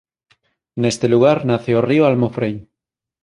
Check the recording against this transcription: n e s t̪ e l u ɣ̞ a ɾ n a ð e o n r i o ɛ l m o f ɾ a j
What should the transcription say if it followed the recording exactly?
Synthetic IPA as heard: n e s t̪ e l u ɣ̞ a ɾ n a θ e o r i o a l m o f ɾ e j